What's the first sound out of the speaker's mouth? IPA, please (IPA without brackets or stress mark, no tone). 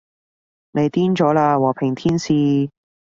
n